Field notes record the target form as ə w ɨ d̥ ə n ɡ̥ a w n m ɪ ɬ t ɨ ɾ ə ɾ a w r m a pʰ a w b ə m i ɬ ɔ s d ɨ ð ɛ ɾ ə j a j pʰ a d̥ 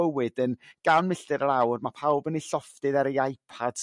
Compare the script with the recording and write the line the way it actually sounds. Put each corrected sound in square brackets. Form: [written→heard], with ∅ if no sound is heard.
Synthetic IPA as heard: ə w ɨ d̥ ə n ɡ̥ a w n m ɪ ɬ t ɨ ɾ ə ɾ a w r m a pʰ a w b ə [m→n] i ɬ ɔ [s→f] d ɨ ð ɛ ɾ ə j a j pʰ a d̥